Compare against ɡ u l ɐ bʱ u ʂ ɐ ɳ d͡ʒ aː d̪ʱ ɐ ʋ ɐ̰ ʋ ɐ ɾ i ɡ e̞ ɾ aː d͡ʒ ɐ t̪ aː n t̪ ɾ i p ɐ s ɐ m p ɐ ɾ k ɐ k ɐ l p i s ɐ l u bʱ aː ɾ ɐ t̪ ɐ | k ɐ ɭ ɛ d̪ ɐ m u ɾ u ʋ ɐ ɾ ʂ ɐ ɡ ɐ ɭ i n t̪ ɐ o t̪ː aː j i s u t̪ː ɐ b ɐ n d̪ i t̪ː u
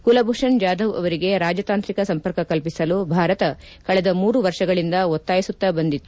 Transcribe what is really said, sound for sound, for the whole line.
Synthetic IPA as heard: k u l ɐ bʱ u ʂ ɐ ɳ d͡ʒ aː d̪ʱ ɐ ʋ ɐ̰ ʋ ɐ ɾ i ɡ e̞ ɾ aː d͡ʒ ɐ t̪ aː n t̪ ɾ i k ɐ s ɐ m p ɐ ɾ k ɐ k ɐ l p i s ɐ l u bʱ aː ɾ ɐ t̪ ɐ | k ɐ ɭ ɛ d̪ ɐ m uː ɾ u ʋ ɐ ɾ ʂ ɐ ɡ ɐ ɭ i n d̪ ɐ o t̪ː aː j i s u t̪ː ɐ b ɐ n d̪ i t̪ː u

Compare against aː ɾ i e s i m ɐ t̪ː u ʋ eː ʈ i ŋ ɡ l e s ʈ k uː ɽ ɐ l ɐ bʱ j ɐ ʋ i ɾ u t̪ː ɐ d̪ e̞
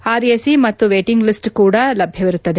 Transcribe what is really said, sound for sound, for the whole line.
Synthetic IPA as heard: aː ɾ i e s i m ɐ t̪ː u ʋ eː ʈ i ŋ ɡ l i s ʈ k uː ɽ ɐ l ɐ bʱ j ɐ ʋ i ɾ u t̪ː ɐ d̪ e̞

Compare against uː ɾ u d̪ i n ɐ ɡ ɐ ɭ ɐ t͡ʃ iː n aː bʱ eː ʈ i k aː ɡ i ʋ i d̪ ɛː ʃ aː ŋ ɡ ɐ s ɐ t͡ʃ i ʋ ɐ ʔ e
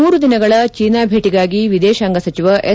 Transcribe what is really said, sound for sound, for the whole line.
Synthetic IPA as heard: uː ɾ u d̪ i n ɐ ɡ ɐ ɭ ɐ t͡ʃ iː n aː bʱ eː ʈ i ɡ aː ɡ i ʋ i d̪ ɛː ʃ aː ŋ ɡ ɐ s ɐ t͡ʃ i ʋ ɐ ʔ e

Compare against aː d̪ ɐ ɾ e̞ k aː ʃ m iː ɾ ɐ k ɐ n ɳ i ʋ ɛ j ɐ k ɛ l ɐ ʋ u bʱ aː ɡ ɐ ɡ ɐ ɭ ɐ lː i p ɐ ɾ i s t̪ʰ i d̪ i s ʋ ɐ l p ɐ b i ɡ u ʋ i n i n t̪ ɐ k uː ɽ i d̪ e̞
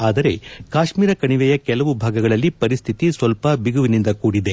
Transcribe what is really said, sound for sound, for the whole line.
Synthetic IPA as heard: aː d̪ ɐ ɾ e̞ k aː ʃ m iː ɾ ɐ k ɐ ɳ i ʋ ɛ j ɐ k ɛ l ɐ ʋ u bʱ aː ɡ ɐ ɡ ɐ ɭ ɐ lː i p ɐ ɾ i s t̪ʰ i t̪ i s ʋ ɐ l p ɐ b i ɡ u ʋ i n i n d̪ ɐ k uː ɽ i d̪ e̞

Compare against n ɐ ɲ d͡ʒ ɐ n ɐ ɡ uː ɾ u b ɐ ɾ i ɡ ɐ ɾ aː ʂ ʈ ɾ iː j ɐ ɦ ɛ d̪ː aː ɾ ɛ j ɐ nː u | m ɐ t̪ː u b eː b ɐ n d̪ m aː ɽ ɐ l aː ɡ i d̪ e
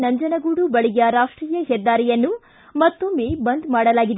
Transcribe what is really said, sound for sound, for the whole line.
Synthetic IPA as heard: n ɐ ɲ d͡ʒ ɐ n ɐ ɡ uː ɽ u b ɐ ɭ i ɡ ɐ ɾ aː ʂ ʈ ɾ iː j ɐ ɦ ɛ d̪ː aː ɾ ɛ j ɐ nː u | m ɐ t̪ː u m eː b ɐ n d̪ m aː ɽ ɐ l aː ɡ i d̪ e

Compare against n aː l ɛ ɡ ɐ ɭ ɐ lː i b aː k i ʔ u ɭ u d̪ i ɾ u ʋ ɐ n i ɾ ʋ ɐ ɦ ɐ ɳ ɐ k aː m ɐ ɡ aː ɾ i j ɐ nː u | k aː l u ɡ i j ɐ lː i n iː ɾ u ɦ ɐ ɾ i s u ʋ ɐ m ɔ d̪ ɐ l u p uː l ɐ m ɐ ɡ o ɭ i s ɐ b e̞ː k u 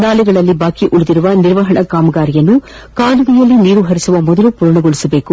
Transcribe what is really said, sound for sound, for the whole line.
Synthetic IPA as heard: n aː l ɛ ɡ ɐ ɭ ɐ lː i b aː k i ʔ u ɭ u d̪ i ɾ u ʋ ɐ n i ɾ ʋ ɐ ɦ ɐ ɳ ɐ k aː m ɐ ɡ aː ɾ i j ɐ nː u | k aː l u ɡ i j ɐ lː i n iː ɾ u ɦ ɐ ɾ i s u ʋ ɐ m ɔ d̪ ɐ l u p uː ɾ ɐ ɳ ɐ ɡ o ɭ i s ɐ b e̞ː k u

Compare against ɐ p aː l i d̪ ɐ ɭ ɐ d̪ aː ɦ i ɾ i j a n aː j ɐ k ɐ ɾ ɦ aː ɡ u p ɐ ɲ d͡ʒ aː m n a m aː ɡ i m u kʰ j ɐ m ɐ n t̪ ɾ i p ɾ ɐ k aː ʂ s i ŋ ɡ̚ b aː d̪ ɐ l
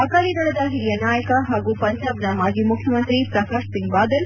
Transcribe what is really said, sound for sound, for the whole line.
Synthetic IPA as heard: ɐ k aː l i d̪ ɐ ɭ ɐ d̪ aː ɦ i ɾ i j ɐ n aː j ɐ k ɐ ɦ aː ɡ u p ɐ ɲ d͡ʒ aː b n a m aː ɡ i m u kʰ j ɐ m ɐ n t̪ ɾ i p ɾ ɐ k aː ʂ s i ŋ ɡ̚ b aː d̪ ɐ l

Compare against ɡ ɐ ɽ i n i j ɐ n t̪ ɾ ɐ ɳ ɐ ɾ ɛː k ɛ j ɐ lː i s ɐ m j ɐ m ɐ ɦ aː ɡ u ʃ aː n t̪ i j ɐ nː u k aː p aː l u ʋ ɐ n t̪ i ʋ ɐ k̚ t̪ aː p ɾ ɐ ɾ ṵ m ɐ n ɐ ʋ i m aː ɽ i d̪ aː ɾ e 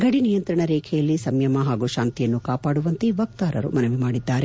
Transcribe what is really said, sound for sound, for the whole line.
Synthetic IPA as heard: ɡ ɐ ɽ i n i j ɐ n t̪ ɾ ɐ ɳ ɐ ɾ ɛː kʰ ɛ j ɐ lː i s ɐ m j ɐ m ɐ ɦ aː ɡ u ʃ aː n t̪ i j ɐ nː u k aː p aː ɽ u ʋ ɐ n t̪ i ʋ ɐ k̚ t̪ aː ɾ ɐ ɾ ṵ m ɐ n ɐ ʋ i m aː ɽ i d̪ː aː ɾ e

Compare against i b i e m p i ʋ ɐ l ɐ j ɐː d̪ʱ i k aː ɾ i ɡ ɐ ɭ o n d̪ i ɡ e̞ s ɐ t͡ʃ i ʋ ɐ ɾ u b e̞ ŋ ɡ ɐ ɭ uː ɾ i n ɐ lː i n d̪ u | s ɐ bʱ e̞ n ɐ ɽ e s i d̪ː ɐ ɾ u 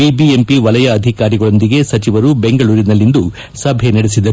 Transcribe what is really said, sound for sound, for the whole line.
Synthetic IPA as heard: i b i e m p i ʋ ɐ l ɐ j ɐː d̪ʱ i k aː ɾ i ɡ ɐ ɭ o n d̪ i ɡ e̞ s ɐ t͡ʃ i ʋ ɐ ɾ u b e̞ ŋ ɡ ɐ ɭ uː ɾ i n ɐ lː i n d̪ u | s ɐ bʱ e̞ n ɐ ɽ e s i d̪ ɐ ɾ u

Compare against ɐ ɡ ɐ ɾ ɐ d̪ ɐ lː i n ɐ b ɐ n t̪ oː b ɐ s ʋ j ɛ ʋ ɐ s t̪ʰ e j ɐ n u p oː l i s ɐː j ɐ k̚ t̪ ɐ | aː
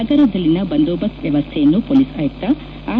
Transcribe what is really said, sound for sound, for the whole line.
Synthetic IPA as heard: ɐ ɡ ɐ ɾ ɐ d̪ ɐ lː i n ɐ b ɐ n d̪ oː b ɐ s ʋ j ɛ ʋ ɐ s t̪ʰ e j ɐ nː u p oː l i s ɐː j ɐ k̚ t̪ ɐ | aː

